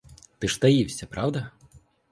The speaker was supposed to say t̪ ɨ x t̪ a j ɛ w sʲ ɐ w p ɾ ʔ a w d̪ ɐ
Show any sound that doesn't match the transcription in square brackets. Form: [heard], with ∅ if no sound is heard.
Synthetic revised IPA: t̪ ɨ [ʂ] t̪ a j [i] w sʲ ɐ [∅] p ɾ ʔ a w d̪ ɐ